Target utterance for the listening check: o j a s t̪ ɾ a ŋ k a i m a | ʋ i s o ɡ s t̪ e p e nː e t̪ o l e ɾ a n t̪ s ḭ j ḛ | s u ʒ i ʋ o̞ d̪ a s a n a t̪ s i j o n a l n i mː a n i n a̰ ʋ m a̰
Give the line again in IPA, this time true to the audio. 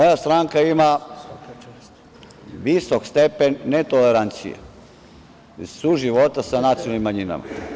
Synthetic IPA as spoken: o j a s t̪ ɾ a ŋ k a i m a | ʋ i s o k s t̪ e p e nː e t̪ o l e ɾ a n t̪ s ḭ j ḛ | s u ʒ i ʋ o̞ t̪ a s a n a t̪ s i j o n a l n i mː a ɲ i n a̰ m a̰